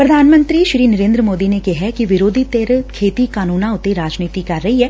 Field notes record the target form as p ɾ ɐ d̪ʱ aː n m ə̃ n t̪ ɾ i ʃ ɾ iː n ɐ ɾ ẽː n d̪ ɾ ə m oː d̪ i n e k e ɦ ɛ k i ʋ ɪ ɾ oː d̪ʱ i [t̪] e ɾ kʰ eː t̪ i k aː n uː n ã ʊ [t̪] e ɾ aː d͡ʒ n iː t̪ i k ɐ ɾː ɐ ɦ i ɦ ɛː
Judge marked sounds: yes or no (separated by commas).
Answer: yes, yes